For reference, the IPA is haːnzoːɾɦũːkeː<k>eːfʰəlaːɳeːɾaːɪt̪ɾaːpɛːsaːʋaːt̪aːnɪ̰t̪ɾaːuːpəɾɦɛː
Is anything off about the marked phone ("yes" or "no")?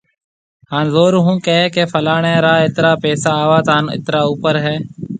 no